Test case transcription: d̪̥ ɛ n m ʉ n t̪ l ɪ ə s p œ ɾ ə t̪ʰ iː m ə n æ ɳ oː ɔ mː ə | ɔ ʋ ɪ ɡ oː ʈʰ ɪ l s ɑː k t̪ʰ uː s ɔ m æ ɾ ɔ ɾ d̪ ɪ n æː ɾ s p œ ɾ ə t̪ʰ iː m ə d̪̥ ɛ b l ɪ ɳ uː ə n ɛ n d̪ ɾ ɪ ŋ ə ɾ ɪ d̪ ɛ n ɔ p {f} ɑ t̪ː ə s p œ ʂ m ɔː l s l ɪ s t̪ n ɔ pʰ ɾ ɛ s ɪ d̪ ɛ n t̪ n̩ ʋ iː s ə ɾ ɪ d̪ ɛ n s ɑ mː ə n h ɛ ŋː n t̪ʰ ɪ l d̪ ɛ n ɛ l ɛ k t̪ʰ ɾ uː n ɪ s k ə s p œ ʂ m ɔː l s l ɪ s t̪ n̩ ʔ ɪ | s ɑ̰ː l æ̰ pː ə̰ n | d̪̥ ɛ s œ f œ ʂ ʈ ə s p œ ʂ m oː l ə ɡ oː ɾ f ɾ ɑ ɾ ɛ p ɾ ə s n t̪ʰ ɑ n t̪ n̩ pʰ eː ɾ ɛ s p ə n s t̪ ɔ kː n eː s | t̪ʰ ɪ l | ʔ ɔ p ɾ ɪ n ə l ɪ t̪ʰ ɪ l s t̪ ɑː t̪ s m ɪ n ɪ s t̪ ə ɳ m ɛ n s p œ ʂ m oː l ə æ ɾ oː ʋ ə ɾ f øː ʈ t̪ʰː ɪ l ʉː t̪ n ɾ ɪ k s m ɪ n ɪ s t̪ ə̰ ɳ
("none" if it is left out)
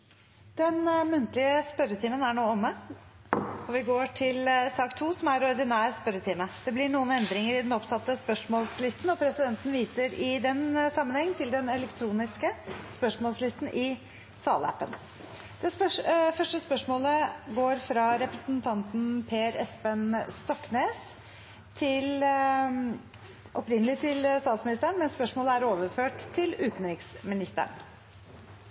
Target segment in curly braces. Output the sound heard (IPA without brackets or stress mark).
s